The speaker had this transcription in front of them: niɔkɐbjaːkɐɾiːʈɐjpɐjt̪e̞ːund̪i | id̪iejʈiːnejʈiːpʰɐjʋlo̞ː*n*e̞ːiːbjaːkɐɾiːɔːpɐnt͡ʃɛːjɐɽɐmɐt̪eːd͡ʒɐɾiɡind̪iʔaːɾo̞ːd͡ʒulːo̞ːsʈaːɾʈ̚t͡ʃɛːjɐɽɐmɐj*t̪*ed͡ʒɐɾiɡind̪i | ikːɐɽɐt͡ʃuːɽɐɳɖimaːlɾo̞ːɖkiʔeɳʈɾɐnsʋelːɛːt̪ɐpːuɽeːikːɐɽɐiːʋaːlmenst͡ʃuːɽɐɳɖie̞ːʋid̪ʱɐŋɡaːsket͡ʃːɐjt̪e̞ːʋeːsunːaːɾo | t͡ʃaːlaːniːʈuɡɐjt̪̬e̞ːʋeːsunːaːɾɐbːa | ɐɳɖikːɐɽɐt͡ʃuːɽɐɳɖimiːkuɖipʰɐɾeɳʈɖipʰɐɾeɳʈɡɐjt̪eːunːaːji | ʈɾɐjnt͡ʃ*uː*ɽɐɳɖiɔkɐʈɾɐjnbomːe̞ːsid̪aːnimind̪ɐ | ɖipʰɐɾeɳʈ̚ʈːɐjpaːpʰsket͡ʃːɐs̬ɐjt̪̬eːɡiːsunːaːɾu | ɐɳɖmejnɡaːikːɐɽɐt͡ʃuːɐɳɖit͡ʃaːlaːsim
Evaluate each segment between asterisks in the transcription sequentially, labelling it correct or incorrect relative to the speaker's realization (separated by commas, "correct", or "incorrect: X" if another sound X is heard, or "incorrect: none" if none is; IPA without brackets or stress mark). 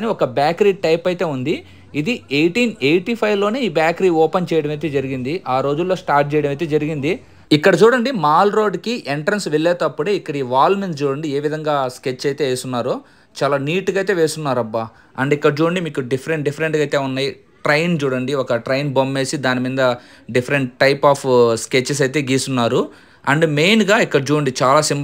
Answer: correct, correct, correct